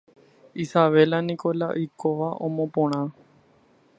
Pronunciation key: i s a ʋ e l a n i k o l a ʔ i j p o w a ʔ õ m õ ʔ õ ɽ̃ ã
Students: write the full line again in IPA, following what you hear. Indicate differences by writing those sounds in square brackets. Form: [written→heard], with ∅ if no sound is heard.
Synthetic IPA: i s a ʋ e l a n i k o l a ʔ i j [p→k] o [w→ʋ] a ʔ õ m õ [ʔ→p] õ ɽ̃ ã

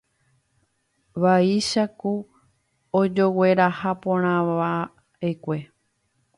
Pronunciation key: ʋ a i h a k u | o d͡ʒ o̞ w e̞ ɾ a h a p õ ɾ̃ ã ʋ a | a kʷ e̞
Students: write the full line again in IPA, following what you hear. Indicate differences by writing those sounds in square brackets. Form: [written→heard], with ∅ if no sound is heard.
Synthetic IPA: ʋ a i [h→ʃ] a k u | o d͡ʒ o̞ w e̞ ɾ a h a p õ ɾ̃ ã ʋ a | [a→e] kʷ e̞

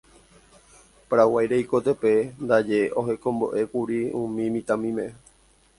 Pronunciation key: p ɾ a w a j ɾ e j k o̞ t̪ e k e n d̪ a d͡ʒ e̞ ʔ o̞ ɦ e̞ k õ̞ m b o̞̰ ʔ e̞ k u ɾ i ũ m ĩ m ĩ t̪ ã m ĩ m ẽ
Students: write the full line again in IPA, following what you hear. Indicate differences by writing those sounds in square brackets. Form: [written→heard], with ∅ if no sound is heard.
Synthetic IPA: p ɾ a w a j ɾ e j k o̞ t̪ e [k→p] e n d̪ a d͡ʒ e̞ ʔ o̞ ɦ e̞ k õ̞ m b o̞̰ ʔ e̞ k u ɾ i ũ m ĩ m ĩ t̪ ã m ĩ m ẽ

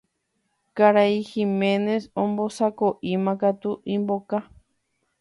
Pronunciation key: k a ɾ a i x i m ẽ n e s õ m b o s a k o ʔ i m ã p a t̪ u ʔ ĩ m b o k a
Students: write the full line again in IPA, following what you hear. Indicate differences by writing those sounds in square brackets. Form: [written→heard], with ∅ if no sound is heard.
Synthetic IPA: k a ɾ a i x i m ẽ n e s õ m b o s a k o ʔ i m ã [p→k] a t̪ u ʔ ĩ m b o k a

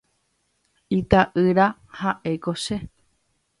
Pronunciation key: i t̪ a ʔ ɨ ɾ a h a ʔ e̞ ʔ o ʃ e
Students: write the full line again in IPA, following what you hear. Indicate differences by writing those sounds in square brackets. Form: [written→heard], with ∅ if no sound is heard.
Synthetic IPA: i t̪ a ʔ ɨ ɾ a h a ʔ e̞ [ʔ→k] o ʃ e

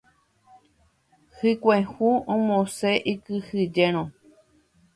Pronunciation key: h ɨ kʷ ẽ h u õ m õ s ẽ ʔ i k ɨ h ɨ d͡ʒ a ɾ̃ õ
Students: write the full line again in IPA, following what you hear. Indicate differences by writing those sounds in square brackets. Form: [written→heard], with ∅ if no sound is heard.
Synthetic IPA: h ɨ kʷ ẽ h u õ m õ s [ẽ→e] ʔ i k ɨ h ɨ d͡ʒ [a→e] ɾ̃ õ

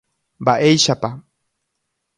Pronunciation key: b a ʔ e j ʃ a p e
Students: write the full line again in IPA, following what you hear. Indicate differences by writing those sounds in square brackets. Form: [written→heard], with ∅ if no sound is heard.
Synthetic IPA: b a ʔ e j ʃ a p [e→a]

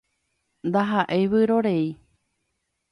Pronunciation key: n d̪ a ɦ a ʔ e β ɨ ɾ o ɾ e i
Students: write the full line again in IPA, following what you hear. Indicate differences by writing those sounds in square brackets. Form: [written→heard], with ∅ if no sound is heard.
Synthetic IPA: n d̪ a ɦ a ʔ e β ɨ ɾ o ɾ e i

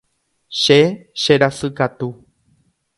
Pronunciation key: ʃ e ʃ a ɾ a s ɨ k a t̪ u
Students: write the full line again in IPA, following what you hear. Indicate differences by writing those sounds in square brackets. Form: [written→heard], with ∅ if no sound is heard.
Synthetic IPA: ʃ e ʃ [a→e] ɾ a s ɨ k a t̪ u

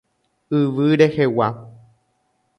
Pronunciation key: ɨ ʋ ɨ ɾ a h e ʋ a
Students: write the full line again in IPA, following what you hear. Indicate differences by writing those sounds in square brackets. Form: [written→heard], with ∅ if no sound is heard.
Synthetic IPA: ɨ ʋ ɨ ɾ [a→e] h e [ʋ→w] a

